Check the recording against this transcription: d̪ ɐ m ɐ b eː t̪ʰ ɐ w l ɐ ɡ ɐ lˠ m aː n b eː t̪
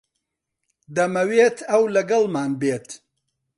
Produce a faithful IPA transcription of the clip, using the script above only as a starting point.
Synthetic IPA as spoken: d̪ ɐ m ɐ w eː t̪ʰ ɐ w l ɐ ɡ ɐ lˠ m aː n b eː t̪